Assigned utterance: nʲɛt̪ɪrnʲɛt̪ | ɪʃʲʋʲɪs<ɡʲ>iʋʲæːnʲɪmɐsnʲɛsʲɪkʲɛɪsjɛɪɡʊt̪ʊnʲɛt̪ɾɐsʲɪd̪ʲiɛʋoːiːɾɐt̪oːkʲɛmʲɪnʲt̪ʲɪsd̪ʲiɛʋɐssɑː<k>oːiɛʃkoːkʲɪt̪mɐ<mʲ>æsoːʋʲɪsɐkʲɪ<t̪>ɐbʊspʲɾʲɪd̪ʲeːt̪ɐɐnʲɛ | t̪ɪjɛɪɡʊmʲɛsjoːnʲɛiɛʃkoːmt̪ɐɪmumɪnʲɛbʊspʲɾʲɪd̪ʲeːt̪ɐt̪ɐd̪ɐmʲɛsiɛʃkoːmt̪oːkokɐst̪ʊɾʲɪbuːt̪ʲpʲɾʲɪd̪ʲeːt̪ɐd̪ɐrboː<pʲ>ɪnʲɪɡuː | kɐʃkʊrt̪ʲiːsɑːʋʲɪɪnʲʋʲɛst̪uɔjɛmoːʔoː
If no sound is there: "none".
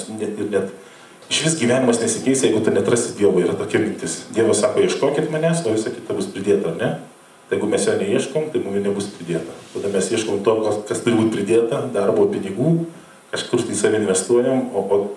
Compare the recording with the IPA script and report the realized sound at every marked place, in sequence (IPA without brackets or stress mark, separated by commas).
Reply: ɡʲ, k, nʲ, t̪, pʲ